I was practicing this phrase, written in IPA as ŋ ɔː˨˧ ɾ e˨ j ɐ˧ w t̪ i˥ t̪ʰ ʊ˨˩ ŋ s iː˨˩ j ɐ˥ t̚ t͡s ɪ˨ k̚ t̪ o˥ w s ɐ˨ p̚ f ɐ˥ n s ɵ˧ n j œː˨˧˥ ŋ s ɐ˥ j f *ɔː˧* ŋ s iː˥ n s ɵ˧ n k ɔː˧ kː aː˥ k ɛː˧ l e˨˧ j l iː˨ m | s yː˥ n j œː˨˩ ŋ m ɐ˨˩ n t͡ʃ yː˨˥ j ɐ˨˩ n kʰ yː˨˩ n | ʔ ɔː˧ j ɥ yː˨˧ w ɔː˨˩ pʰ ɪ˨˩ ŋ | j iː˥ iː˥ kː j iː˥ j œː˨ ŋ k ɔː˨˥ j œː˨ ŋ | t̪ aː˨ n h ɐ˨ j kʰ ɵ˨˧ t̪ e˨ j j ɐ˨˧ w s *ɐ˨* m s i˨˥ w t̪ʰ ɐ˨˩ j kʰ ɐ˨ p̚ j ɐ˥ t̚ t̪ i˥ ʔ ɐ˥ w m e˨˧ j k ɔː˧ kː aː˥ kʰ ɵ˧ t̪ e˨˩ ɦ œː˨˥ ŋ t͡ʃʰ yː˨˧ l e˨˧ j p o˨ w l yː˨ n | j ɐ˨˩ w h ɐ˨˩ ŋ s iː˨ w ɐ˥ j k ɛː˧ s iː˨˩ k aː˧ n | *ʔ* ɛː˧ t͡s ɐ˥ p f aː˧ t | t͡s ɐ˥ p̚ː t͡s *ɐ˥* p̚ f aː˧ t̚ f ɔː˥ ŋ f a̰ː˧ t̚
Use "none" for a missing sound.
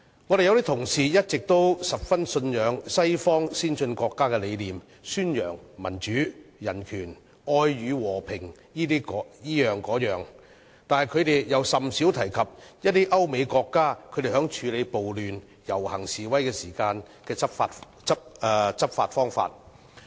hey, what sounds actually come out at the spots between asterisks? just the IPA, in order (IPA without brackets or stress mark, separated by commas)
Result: ɔː˥, ɐ˨, k, ɐ˥